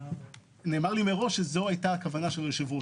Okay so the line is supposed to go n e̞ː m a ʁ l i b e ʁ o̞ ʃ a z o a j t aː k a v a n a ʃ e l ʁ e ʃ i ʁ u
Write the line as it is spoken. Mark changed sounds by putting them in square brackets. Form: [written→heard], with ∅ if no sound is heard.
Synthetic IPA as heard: n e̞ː m a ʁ l i [b→m] e ʁ o̞ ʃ [a→e] z o a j t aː k a v a n a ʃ e l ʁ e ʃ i [ʁ→v] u